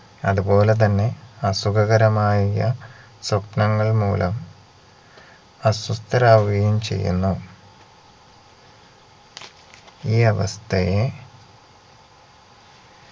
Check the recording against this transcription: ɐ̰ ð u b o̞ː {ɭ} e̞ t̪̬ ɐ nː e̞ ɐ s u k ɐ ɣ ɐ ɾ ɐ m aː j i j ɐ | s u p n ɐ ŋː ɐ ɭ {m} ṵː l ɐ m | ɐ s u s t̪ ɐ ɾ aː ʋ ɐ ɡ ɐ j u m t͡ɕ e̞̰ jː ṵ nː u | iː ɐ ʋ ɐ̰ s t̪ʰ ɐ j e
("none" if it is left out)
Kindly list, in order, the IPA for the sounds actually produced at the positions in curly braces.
l, m

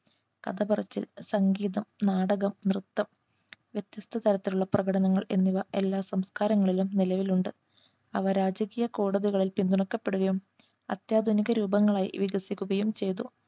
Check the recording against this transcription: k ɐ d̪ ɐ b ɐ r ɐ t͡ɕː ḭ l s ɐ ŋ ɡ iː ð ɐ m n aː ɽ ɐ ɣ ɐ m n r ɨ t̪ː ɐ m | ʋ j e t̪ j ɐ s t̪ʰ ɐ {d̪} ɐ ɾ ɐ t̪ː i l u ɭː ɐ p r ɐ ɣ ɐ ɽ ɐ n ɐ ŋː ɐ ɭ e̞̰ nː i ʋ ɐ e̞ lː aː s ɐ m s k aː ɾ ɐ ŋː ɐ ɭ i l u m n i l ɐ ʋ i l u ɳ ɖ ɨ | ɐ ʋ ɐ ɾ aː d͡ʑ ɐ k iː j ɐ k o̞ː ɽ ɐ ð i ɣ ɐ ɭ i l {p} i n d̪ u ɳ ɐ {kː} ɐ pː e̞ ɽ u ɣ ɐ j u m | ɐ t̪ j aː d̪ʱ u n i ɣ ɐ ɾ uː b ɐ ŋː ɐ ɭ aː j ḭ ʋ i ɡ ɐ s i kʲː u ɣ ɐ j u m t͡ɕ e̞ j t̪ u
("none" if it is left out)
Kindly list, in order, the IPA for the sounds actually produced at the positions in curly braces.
t̪, p, kː

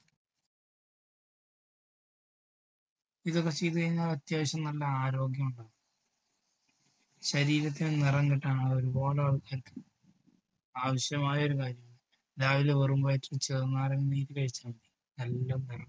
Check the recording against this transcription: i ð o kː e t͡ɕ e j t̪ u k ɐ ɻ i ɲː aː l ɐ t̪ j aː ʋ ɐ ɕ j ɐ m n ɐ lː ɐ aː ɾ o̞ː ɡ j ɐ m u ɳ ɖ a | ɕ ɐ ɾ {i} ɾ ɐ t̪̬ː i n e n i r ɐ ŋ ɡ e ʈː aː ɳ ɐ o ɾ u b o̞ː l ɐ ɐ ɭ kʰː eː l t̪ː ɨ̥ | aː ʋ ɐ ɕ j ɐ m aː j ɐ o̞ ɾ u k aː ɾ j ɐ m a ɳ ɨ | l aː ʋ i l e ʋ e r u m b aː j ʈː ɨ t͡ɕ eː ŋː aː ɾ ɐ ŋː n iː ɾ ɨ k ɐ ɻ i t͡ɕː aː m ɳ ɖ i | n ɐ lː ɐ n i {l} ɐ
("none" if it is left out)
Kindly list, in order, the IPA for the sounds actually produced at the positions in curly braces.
iː, r

